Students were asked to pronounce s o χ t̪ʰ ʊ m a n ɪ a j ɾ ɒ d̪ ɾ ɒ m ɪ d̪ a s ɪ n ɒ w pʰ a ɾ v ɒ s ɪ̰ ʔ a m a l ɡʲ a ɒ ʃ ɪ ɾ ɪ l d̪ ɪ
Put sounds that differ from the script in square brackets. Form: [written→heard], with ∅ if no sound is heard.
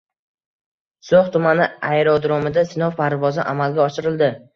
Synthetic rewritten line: s o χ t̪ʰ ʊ m a n ɪ a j ɾ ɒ d̪ ɾ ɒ m ɪ d̪ a s ɪ n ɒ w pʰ a ɾ v ɒ [s→z] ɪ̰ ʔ a m a l ɡʲ a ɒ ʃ ɪ ɾ ɪ l d̪ ɪ